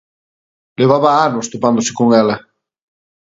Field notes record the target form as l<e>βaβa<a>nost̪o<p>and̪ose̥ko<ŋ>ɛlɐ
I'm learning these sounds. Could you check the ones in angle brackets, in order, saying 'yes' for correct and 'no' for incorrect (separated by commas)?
yes, yes, yes, yes